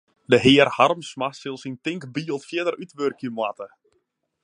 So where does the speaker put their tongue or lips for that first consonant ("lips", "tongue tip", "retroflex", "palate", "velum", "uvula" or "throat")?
tongue tip